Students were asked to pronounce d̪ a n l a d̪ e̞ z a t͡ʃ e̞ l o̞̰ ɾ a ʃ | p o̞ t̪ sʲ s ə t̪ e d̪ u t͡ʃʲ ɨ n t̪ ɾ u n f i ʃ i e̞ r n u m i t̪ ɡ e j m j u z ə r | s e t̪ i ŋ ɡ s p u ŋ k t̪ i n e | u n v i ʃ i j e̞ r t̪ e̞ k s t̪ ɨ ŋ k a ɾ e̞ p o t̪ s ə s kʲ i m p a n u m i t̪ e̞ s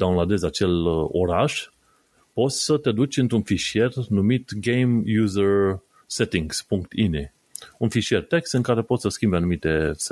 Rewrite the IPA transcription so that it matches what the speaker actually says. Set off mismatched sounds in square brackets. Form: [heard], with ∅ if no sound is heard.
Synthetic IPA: d̪ a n l a d̪ e̞ z a t͡ʃ e̞ l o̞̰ ɾ a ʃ | p o̞ t̪ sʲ s ə t̪ e d̪ u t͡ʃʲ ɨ n t̪ ɾ u n f i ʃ i e̞ r n u m i t̪ ɡ e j m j u z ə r | s e t̪ i ŋ ɡ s p u ŋ k t̪ i n e | u n [f] i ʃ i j e̞ r t̪ e̞ k s t̪ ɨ ŋ k a ɾ e̞ p o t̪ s ə s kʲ i m [b] a n u m i t̪ e̞ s